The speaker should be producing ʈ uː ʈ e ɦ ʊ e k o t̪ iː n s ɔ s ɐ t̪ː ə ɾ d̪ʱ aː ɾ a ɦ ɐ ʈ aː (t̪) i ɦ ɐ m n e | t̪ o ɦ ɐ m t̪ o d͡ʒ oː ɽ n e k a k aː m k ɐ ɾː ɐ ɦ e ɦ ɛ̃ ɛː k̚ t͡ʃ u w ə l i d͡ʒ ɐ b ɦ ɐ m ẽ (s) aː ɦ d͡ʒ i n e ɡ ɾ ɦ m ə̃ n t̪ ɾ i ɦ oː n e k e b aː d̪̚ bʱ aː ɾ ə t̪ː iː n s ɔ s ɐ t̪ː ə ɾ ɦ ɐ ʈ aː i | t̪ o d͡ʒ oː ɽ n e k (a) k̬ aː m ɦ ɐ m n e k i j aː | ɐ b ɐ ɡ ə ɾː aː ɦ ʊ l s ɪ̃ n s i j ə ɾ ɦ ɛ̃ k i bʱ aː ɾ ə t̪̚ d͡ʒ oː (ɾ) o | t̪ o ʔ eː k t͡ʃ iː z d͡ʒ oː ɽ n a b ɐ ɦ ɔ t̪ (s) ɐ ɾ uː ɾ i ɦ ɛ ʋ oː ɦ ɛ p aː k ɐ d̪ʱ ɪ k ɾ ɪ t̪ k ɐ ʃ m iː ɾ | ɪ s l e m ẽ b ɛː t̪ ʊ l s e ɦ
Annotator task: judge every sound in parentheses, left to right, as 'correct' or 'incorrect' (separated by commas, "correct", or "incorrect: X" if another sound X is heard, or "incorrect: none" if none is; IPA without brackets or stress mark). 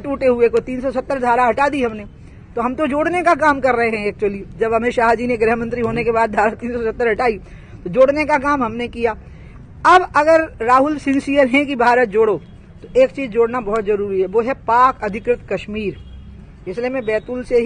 incorrect: d̪, incorrect: ʃ, correct, incorrect: ɽ, incorrect: z